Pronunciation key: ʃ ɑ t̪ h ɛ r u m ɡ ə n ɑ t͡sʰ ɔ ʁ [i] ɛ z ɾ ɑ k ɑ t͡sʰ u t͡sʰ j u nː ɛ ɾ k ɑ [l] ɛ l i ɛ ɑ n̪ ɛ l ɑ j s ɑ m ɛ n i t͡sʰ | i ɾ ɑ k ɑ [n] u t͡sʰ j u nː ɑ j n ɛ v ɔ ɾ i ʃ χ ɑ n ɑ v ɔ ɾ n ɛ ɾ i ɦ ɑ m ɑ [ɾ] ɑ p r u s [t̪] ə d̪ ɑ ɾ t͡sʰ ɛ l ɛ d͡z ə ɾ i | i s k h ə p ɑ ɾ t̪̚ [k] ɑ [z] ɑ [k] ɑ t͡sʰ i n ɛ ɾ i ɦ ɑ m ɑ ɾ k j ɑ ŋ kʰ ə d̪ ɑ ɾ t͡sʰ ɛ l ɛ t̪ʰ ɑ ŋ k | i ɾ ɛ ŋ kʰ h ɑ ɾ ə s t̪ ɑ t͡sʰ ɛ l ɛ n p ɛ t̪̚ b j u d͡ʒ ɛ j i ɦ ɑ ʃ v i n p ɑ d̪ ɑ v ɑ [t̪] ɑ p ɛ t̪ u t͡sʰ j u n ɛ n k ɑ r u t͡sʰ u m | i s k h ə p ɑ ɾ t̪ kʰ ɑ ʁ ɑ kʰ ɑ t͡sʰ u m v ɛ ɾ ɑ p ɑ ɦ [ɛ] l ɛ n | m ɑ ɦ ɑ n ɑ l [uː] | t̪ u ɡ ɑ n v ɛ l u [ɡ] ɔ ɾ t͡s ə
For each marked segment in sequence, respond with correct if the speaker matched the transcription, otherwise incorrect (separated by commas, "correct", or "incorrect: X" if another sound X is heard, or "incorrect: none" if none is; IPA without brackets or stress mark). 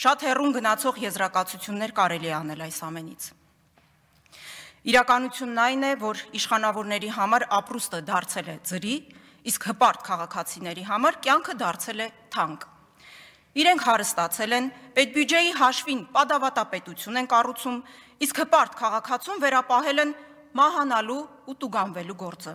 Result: incorrect: j, incorrect: ɾ, correct, correct, correct, incorrect: kʰ, incorrect: ʁ, incorrect: kʰ, correct, correct, correct, correct